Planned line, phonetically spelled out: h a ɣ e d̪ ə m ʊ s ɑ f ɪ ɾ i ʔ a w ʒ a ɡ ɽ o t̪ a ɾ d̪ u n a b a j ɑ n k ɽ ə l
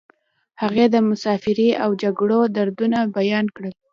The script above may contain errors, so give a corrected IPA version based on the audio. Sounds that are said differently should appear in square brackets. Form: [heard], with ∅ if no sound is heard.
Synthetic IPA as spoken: h a ɣ e d̪ ə m ʊ s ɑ f ɪ ɾ i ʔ a w [d͡ʒ] a ɡ ɽ o [d̪] a ɾ d̪ u n a b a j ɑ n k ɽ ə l